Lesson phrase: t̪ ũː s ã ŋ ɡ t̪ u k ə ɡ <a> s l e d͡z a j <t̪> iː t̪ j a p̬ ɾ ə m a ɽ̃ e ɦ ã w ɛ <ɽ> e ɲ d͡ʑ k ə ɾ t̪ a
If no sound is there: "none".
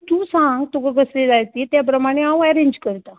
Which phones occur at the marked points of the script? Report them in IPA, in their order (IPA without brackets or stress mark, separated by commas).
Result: ə, t̪, ɾ